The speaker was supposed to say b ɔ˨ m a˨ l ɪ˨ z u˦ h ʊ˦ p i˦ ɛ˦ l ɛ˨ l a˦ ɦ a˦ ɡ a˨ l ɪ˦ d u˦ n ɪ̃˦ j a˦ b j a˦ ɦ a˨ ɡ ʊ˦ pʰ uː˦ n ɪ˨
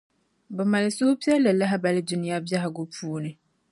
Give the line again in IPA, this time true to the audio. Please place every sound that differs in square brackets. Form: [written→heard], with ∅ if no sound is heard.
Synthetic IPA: b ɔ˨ m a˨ l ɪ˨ [z→s] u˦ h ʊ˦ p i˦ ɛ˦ l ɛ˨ l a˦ ɦ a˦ [ɡ→b] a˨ l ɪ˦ d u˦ n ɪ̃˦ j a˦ b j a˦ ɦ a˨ ɡ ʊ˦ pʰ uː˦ n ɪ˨